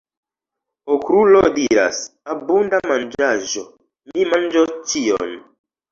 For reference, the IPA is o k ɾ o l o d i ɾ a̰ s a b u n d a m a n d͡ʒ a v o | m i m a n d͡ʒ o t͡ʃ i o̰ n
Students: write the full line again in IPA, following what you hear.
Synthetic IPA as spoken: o k ɾ u l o d i ɾ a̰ s a b u n d a m a n d͡ʒ a ʒ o | m i m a n d͡ʒ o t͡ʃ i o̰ n